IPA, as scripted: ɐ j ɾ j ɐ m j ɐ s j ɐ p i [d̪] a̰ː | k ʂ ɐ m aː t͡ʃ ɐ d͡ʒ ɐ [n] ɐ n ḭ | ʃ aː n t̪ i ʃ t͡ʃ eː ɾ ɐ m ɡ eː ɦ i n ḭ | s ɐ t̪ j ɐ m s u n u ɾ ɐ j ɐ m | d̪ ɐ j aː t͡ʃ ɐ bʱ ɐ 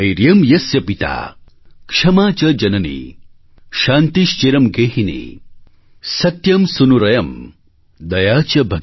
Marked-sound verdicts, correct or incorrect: incorrect, correct

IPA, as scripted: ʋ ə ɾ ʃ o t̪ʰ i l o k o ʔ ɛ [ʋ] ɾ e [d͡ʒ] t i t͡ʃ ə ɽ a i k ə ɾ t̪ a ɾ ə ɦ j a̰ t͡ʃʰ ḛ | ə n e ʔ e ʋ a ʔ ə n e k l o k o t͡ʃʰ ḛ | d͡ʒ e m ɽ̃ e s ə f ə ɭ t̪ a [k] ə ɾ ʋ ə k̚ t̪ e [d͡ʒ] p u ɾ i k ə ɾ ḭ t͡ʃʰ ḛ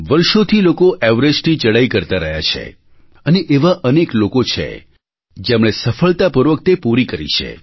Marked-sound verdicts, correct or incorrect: correct, correct, incorrect, incorrect

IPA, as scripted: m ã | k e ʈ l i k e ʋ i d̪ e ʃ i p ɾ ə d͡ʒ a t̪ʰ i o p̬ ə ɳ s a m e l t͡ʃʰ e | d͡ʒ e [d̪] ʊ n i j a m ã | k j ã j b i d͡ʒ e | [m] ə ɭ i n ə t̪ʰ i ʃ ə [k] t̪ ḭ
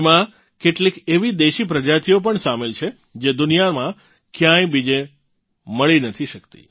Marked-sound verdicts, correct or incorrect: correct, correct, correct

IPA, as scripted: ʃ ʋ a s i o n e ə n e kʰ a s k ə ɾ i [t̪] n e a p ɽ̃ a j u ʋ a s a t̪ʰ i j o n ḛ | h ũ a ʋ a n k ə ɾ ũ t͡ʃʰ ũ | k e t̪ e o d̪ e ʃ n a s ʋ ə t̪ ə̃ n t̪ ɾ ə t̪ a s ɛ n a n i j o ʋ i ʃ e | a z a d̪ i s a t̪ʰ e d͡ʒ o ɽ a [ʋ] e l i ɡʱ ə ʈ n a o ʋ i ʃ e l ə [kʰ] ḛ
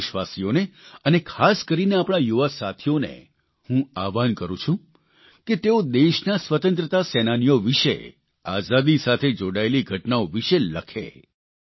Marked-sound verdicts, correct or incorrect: incorrect, incorrect, correct

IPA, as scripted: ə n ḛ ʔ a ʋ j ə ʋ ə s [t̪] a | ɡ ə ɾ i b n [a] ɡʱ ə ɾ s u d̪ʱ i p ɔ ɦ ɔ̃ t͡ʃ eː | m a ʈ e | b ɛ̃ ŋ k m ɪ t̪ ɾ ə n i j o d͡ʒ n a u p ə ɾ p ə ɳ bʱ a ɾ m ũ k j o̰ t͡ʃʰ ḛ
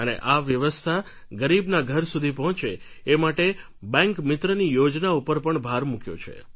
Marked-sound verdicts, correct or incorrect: incorrect, correct

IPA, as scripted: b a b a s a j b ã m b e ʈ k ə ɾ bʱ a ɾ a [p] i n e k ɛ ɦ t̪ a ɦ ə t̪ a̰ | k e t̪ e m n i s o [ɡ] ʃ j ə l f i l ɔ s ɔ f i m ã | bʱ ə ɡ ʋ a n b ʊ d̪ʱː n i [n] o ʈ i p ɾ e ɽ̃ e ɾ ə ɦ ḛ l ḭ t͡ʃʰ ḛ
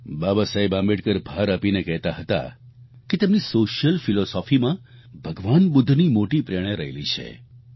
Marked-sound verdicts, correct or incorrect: correct, incorrect, incorrect

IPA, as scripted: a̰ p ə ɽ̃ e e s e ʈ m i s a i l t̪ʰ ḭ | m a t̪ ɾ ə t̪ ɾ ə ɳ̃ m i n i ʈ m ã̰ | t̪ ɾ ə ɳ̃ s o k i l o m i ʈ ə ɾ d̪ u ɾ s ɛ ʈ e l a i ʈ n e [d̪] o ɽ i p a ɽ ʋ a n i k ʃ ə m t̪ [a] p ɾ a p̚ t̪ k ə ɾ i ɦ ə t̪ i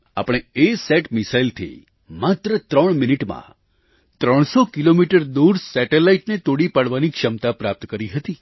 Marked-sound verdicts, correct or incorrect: incorrect, correct

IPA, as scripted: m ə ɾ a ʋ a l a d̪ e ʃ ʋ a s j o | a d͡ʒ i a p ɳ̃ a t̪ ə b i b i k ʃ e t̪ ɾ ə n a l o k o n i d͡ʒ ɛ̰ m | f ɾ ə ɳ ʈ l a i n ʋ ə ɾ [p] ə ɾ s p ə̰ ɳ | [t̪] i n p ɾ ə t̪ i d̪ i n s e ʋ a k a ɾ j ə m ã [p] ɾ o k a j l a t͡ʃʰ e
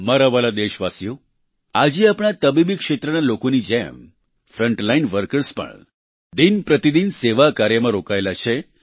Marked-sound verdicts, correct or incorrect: incorrect, incorrect, incorrect

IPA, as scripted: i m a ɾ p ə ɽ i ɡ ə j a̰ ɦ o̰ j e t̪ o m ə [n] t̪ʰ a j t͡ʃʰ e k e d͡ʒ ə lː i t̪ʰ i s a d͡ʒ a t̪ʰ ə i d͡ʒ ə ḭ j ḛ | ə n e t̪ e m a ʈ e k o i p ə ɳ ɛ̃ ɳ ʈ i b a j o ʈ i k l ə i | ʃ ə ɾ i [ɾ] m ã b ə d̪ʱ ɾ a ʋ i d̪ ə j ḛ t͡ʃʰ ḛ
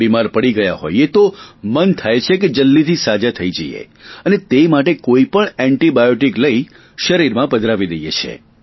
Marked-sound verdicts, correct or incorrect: correct, correct

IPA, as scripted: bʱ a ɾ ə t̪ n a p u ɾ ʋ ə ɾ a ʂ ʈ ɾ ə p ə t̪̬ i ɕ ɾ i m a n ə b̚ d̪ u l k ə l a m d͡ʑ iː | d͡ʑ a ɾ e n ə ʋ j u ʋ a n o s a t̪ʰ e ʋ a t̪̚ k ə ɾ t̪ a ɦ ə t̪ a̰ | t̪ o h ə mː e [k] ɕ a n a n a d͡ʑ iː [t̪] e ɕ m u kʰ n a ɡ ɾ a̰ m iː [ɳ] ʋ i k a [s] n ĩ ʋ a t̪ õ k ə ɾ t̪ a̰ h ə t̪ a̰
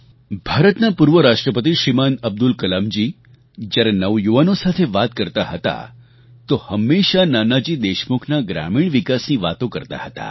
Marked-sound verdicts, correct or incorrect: incorrect, incorrect, correct, correct

